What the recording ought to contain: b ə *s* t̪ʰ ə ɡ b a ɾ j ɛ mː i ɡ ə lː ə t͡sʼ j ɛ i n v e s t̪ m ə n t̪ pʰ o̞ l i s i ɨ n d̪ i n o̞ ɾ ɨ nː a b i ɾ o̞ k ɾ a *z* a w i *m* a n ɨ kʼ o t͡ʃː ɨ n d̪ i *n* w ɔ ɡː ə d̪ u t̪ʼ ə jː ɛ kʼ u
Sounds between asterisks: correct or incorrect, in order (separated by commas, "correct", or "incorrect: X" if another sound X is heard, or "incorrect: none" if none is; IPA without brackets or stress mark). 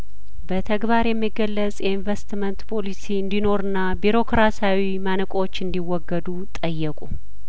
incorrect: none, incorrect: s, correct, incorrect: none